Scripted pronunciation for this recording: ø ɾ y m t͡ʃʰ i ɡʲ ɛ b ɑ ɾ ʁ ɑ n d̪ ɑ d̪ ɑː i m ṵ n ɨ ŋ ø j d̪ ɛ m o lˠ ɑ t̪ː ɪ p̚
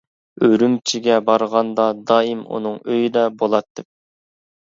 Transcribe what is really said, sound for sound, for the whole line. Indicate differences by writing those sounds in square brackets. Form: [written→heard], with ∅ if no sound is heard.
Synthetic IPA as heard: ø ɾ y m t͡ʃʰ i ɡʲ ɛ b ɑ ɾ ʁ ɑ n d̪ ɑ d̪ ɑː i m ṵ n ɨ ŋ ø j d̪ ɛ [m→b] o lˠ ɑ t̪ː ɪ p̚

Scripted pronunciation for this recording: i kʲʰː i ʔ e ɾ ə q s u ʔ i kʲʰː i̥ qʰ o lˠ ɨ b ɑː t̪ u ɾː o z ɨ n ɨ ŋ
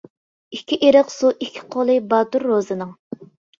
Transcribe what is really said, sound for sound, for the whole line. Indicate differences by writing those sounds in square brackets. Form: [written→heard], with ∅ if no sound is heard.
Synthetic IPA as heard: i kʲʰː i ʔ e ɾ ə q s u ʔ i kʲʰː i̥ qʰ o lˠ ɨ b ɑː t̪ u ɾː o z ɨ n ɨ ŋ

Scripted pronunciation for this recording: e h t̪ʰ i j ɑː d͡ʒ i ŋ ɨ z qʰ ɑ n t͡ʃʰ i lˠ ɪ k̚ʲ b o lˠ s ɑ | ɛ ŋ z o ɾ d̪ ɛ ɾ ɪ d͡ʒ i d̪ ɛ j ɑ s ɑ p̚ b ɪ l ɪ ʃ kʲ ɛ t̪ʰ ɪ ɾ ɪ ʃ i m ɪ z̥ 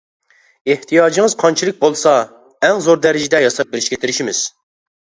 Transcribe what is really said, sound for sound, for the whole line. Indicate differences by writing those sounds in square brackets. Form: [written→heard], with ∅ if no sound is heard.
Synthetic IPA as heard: e h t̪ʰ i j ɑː d͡ʒ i ŋ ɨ z qʰ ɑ n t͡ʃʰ i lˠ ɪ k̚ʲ b o lˠ s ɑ | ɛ ŋ z o ɾ d̪ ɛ ɾ ɪ d͡ʒ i d̪ ɛ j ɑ s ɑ p̚ b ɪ [l→ɾ] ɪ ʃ kʲ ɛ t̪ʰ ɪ ɾ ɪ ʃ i m ɪ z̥

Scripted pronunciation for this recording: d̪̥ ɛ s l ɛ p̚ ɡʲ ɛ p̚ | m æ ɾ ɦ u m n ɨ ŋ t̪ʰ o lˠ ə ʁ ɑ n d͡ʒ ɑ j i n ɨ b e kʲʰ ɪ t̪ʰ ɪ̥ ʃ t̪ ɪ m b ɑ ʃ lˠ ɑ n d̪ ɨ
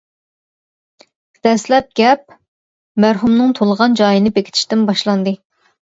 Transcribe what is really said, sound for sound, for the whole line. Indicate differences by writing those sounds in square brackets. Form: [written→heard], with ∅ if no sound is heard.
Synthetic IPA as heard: d̪̥ ɛ s l ɛ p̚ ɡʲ ɛ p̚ | m æ ɾ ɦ u m n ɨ ŋ t̪ʰ o lˠ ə ʁ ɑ n d͡ʒ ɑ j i n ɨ b e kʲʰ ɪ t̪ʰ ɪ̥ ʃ t̪ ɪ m b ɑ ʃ lˠ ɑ n d̪ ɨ

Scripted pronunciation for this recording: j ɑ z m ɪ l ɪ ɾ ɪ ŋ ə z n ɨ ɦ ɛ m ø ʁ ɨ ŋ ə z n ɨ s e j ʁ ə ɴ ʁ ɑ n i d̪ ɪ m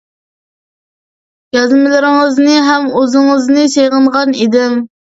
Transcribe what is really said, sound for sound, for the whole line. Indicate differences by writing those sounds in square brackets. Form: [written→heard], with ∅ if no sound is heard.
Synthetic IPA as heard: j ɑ z m ɪ l ɪ ɾ ɪ ŋ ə z n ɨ ɦ ɛ m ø [ʁ→z] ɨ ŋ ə z n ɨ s e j ʁ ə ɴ ʁ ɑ n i d̪ ɪ m

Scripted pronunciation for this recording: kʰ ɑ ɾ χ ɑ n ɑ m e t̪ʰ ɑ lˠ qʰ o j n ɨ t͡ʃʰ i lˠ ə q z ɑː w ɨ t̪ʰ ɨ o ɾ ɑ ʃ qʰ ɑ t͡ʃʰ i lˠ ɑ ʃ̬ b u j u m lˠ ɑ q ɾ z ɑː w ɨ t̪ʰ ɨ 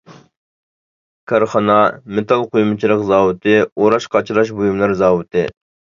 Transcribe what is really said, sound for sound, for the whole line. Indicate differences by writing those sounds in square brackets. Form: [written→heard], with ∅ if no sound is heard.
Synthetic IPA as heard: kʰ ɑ ɾ χ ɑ n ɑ m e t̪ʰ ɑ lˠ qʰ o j [n→m] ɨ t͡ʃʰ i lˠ ə q z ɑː w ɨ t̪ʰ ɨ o ɾ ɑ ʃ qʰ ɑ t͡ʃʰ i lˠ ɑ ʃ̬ b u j u m lˠ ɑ [q→∅] ɾ z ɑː w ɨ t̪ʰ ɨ

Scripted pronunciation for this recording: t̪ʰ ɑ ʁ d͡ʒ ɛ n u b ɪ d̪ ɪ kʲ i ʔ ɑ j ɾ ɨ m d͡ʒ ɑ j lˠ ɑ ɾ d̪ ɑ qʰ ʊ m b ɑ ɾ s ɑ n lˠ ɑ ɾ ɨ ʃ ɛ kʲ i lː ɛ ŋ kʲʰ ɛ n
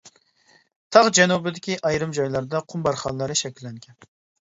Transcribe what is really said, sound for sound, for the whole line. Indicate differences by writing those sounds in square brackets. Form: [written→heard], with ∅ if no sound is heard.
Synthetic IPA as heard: t̪ʰ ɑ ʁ d͡ʒ ɛ n u b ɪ d̪ ɪ kʲ i ʔ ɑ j ɾ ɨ m d͡ʒ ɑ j lˠ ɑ ɾ d̪ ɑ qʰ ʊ m b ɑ ɾ [s→χ] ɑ n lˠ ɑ ɾ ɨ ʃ ɛ kʲ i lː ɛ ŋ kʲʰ ɛ n

